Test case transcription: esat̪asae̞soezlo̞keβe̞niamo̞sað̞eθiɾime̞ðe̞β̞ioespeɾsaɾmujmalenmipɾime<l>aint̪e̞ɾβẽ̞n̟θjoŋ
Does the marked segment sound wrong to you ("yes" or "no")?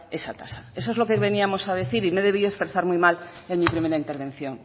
yes